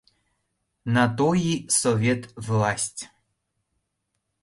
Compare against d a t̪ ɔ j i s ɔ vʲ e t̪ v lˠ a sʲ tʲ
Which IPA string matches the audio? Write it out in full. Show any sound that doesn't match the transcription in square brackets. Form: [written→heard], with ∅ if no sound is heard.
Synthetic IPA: [d→n] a t̪ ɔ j i s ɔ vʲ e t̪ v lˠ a sʲ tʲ